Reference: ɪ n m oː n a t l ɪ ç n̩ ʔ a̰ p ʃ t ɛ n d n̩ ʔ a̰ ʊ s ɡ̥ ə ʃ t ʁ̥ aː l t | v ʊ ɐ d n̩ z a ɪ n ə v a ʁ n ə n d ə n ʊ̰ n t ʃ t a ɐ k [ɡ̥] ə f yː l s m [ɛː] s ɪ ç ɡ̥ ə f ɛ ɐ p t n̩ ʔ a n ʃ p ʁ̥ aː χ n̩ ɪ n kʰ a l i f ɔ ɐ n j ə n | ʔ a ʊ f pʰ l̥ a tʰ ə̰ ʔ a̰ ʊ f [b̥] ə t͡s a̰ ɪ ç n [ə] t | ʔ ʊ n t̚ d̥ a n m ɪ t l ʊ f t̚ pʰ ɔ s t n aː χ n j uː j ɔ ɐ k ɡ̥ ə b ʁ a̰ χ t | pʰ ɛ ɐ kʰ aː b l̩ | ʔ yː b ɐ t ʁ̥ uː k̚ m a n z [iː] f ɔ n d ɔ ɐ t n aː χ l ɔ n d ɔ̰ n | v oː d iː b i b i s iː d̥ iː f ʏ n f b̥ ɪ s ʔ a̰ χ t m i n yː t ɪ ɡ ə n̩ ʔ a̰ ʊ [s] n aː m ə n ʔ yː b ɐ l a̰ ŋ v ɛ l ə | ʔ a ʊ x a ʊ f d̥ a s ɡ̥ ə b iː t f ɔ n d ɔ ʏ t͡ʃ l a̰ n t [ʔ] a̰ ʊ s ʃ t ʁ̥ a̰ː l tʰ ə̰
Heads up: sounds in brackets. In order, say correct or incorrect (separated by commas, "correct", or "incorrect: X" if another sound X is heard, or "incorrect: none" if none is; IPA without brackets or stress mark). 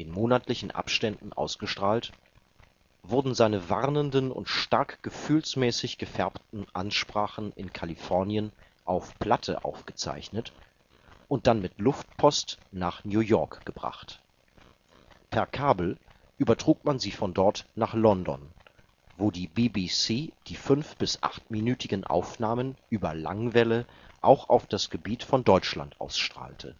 correct, correct, incorrect: ɡ̥, correct, correct, incorrect: f, correct